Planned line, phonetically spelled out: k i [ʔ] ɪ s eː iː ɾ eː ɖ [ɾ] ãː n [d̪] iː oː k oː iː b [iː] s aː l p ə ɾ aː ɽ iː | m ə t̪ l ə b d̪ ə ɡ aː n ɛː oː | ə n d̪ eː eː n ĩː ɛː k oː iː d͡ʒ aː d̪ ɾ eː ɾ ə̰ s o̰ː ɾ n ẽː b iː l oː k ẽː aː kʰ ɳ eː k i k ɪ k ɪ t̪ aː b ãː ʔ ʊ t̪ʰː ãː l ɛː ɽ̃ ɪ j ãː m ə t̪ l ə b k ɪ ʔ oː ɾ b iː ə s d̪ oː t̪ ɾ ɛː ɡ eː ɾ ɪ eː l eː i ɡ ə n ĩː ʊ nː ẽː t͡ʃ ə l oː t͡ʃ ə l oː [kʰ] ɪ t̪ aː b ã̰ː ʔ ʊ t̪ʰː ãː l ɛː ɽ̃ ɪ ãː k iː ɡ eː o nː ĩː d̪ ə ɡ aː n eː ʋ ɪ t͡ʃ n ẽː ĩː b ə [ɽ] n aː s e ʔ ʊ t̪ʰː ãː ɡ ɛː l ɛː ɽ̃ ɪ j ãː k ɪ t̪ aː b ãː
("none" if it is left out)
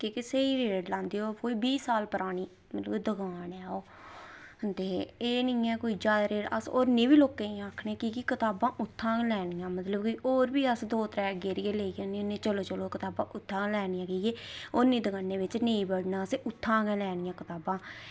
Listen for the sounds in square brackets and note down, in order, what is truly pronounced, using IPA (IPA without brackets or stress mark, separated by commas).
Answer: k, l, d̪, iː, k, ɽ